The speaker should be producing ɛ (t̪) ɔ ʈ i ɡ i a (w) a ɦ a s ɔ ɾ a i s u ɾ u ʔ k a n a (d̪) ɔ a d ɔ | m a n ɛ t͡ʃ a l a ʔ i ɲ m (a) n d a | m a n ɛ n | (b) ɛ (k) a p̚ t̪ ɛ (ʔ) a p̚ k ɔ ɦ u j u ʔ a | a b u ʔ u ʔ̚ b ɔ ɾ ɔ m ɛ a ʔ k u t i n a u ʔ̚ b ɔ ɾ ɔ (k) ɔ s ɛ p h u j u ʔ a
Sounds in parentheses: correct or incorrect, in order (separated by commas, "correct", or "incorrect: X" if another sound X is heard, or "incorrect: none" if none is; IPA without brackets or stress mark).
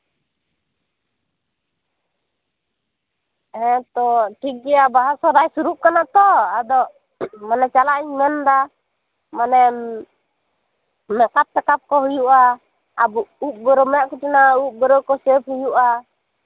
correct, incorrect: b, incorrect: t̪, incorrect: ɛ, incorrect: m, correct, incorrect: k, correct